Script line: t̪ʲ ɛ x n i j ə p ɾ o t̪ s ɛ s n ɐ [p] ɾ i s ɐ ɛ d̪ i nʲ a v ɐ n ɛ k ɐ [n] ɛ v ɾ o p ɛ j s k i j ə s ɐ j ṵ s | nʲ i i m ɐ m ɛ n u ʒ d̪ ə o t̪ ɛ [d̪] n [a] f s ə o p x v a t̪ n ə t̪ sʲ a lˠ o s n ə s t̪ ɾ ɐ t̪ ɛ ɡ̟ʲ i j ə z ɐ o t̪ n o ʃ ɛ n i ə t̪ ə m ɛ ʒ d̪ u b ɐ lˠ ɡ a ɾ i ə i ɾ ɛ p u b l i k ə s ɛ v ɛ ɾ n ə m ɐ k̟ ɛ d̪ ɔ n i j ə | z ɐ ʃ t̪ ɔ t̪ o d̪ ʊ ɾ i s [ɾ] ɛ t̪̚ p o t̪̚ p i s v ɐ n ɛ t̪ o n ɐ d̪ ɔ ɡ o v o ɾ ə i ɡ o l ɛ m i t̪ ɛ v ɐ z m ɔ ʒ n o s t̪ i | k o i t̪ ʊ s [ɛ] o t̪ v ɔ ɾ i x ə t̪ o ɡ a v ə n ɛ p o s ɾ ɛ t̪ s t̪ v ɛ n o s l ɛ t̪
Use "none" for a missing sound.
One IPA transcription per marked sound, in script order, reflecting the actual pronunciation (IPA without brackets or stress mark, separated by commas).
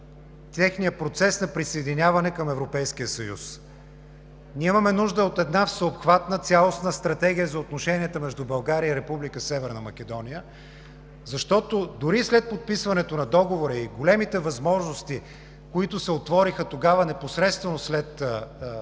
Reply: p, m, d̪, a, l, ɛ